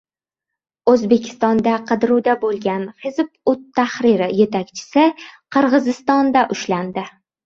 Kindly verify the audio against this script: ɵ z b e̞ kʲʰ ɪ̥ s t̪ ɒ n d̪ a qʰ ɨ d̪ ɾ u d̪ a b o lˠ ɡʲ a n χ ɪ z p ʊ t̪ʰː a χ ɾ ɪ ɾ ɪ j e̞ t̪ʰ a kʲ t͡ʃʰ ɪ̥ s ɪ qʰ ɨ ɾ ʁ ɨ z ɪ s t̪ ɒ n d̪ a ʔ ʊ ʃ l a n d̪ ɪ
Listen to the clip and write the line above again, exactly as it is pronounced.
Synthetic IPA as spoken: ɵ z b e̞ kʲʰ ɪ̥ s t̪ ɒ n d̪ a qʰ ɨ d̪ ɾ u d̪ a b o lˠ ɡʲ a n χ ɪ z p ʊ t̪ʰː a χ ɾ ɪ ɾ ɪ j e̞ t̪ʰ a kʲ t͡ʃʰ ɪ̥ s ɪ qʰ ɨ ɾ ʁ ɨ z ɪ s t̪ ɒ n d̪ a ʔ ʊ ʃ l a n d̪ ɪ